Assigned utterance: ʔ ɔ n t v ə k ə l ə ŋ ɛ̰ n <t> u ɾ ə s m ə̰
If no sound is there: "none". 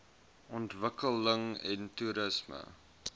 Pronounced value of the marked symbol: t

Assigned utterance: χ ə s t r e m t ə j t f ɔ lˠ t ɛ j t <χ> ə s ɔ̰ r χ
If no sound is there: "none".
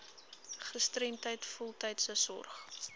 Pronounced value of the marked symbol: s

